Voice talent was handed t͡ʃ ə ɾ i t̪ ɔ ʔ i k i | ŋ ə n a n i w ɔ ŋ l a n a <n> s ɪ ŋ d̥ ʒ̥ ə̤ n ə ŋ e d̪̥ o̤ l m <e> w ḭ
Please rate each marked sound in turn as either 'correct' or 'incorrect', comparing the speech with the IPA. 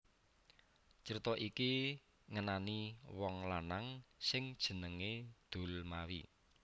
incorrect: ŋ, incorrect: a

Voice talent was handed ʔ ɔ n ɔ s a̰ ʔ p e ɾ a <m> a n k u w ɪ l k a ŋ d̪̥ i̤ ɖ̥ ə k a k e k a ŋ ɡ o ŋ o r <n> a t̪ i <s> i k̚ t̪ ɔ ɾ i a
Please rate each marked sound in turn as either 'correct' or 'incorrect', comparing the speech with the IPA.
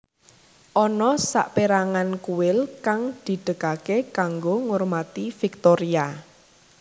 incorrect: ŋ, incorrect: m, incorrect: f

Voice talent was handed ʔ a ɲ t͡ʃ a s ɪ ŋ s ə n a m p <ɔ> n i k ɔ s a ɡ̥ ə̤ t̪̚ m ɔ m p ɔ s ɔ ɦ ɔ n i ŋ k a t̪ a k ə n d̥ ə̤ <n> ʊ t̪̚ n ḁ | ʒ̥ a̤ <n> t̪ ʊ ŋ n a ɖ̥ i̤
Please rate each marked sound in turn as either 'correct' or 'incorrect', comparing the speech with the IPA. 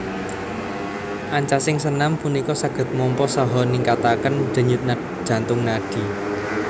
incorrect: u, incorrect: ɲ, correct

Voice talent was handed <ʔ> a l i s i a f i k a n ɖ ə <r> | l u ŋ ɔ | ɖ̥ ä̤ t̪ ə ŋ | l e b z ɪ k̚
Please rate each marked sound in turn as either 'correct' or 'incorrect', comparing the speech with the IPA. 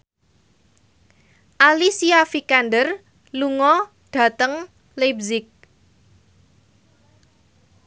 correct, correct

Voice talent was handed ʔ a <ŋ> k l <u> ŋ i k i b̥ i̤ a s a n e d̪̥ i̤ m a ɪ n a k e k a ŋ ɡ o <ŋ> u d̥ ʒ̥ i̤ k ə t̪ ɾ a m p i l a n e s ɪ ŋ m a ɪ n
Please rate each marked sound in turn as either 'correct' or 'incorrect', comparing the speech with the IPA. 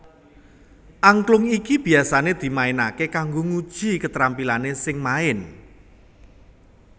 correct, incorrect: ʊ, correct

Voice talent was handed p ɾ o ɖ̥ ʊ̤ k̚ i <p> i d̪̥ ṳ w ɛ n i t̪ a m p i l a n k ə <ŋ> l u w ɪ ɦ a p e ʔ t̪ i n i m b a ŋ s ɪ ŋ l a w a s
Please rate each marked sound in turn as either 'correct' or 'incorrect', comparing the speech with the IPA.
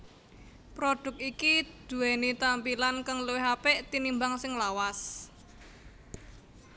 incorrect: k, correct

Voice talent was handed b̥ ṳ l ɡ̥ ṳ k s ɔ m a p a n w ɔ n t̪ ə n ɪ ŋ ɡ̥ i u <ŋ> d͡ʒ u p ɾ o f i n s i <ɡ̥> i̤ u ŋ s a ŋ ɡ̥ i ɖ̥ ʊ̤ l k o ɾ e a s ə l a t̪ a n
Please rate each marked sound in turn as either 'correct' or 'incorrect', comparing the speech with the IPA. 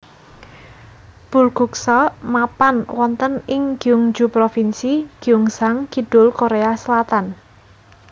correct, correct

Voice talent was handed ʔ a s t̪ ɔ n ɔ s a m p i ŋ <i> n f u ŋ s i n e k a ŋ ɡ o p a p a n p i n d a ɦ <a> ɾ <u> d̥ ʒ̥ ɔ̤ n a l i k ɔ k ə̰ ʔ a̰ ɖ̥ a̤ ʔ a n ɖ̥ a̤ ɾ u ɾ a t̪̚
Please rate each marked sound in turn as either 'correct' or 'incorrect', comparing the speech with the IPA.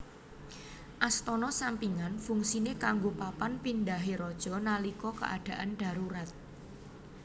incorrect: a, incorrect: e, incorrect: ɔ

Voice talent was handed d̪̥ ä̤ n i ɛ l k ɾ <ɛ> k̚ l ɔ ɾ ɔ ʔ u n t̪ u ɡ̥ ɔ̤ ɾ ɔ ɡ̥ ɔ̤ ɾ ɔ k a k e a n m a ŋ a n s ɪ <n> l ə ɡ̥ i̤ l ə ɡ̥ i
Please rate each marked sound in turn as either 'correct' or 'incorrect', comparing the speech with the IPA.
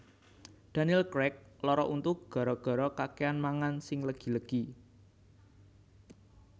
correct, incorrect: ŋ

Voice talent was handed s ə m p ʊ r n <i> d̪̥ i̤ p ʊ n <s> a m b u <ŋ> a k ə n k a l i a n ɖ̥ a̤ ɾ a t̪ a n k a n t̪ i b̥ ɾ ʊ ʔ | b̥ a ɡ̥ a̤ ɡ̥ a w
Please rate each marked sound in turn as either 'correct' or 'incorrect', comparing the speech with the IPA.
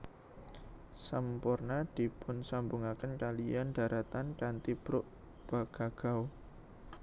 incorrect: a, correct, correct

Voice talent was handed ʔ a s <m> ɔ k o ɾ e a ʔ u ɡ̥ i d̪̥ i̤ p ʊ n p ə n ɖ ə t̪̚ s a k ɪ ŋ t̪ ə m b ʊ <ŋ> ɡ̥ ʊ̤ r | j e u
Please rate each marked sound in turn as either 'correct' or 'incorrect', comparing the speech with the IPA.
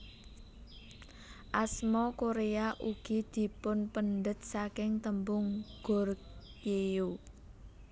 correct, correct

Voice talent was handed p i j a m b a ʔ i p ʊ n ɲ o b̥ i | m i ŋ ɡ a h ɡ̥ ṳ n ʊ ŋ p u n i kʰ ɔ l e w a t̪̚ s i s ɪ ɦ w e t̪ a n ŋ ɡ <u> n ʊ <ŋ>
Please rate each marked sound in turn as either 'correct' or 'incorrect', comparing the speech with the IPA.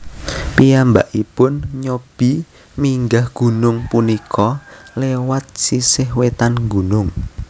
correct, correct

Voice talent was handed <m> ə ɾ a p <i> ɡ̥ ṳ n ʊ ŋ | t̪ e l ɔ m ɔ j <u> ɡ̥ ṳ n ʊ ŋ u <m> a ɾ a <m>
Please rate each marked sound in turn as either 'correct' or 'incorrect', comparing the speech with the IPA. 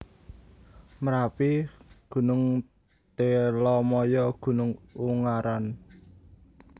correct, correct, incorrect: ɔ, incorrect: ŋ, incorrect: n

